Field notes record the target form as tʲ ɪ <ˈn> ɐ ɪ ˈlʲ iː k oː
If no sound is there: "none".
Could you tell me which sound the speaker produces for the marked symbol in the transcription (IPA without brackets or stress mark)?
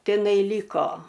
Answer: n